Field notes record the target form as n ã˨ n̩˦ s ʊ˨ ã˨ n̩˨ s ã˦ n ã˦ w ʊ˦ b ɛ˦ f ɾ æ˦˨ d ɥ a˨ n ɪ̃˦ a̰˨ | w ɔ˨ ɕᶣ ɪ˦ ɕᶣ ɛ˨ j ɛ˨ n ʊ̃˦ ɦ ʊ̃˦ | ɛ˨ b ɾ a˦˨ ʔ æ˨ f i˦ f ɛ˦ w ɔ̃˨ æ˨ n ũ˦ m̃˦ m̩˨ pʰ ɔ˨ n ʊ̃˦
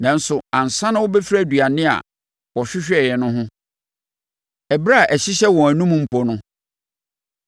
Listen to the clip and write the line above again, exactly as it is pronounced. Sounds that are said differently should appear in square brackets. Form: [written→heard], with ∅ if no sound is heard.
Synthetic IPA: n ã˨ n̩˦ s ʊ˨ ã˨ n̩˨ s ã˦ n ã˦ w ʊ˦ b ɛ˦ f ɾ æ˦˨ d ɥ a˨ n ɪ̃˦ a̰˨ | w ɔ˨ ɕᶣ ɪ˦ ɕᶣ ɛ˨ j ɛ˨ n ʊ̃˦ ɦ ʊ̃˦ | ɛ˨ b ɾ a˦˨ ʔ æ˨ [f→ɕ] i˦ [f→ɕ] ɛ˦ w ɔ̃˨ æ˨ n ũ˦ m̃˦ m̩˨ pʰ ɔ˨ n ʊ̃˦